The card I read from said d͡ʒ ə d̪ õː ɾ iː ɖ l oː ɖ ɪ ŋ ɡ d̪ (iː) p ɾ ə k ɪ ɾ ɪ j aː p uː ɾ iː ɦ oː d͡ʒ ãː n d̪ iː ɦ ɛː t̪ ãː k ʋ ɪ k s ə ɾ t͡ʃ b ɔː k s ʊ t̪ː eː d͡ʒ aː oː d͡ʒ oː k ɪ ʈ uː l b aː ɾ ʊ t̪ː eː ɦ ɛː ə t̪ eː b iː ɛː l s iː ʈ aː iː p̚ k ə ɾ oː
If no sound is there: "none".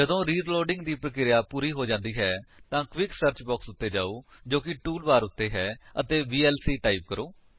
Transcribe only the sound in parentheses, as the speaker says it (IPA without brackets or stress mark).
iː